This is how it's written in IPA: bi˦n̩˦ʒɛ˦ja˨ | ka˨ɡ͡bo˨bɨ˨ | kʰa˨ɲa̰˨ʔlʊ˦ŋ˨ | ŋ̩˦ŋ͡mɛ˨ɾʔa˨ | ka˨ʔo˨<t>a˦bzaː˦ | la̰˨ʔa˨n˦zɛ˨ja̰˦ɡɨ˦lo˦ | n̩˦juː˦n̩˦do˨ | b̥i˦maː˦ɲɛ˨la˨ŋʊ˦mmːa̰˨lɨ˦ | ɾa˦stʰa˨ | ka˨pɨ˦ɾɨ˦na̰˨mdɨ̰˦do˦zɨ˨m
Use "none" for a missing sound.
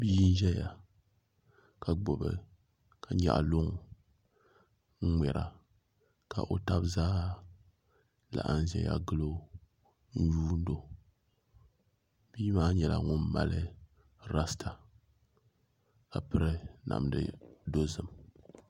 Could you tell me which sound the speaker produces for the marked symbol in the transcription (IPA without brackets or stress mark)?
t